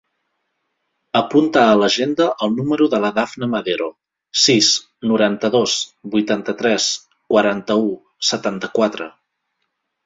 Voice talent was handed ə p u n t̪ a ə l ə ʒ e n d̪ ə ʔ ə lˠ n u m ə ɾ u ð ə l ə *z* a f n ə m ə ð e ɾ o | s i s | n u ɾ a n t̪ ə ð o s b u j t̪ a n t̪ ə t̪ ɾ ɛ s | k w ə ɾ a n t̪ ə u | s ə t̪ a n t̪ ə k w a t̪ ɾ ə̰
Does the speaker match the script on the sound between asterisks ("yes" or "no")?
no